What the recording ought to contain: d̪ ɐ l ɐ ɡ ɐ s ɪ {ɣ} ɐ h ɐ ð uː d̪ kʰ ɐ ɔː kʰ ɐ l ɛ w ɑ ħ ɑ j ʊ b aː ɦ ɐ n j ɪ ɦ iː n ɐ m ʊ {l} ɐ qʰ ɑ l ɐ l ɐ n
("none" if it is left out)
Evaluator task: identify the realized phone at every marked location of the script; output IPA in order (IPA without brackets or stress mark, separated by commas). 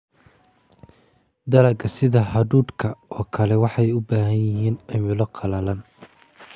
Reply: ð, l